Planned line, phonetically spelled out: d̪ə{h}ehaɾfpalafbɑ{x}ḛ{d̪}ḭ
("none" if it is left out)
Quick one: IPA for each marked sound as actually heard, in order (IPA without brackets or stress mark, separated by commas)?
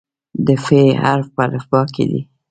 f, k, d̪